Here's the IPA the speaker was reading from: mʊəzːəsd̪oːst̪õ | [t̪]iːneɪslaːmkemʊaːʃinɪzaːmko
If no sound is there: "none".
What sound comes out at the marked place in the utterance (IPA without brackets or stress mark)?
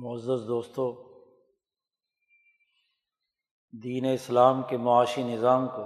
d̪